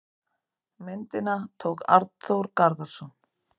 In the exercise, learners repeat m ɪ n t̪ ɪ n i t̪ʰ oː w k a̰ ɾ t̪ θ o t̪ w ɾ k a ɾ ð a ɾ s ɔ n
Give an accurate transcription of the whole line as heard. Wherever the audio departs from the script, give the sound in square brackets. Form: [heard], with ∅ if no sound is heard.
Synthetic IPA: m ɪ n t̪ ɪ n [a] t̪ʰ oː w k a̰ ɾ t̪ θ o [∅] w ɾ k a ɾ ð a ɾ s ɔ n